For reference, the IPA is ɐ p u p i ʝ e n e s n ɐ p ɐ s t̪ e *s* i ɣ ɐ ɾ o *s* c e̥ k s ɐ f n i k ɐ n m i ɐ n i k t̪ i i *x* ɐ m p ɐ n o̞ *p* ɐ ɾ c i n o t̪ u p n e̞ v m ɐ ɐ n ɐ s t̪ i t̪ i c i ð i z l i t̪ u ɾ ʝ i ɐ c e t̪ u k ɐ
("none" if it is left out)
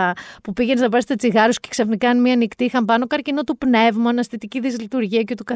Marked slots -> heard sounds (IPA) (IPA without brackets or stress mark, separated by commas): t͡s, s, x, k